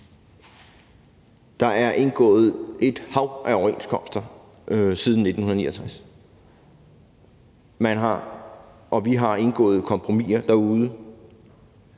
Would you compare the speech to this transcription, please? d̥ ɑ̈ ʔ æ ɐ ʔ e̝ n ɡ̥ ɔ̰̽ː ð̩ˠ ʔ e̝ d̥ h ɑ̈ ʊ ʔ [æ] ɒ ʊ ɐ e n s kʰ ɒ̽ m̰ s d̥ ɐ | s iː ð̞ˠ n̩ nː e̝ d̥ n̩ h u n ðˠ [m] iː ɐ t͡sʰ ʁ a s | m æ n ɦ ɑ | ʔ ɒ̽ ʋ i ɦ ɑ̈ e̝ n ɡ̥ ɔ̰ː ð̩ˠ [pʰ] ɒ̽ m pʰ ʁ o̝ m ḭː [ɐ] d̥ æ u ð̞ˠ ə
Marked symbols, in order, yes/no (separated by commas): yes, no, no, yes